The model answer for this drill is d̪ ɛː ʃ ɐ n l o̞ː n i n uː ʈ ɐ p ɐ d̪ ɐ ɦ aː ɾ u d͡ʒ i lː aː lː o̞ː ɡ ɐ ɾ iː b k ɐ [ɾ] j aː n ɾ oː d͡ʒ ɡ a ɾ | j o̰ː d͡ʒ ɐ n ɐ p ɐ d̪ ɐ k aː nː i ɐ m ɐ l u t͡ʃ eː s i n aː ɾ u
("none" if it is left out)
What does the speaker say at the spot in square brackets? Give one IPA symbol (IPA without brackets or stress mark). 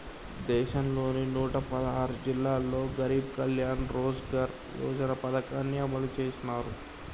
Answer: l